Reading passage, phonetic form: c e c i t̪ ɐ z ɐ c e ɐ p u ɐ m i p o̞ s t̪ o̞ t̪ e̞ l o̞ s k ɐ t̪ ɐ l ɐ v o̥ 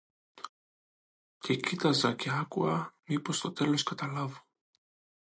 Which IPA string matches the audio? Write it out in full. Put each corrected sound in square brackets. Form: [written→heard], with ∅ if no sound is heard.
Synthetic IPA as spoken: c e c i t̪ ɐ z ɐ c e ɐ [p→k] u ɐ m i p o̞ s t̪ o̞ t̪ e̞ l o̞ s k ɐ t̪ ɐ l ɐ v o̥